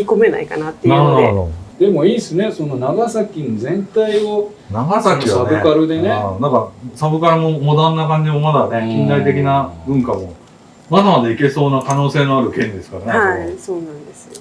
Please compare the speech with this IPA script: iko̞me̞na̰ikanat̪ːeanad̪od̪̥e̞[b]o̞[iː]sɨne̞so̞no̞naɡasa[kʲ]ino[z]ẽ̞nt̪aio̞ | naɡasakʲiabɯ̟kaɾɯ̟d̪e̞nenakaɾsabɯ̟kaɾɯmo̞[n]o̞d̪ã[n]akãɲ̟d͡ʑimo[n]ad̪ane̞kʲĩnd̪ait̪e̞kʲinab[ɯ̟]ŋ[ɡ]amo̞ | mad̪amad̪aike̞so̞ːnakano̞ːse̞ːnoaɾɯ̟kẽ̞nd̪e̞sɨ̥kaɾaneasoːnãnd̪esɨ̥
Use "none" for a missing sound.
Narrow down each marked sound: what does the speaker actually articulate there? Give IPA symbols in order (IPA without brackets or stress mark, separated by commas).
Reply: m, iː, kʲ, z, m, nː, m, ɯ̟̃, k